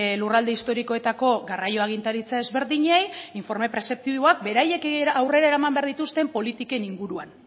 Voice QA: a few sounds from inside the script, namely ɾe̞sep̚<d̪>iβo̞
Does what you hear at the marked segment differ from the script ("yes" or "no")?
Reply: yes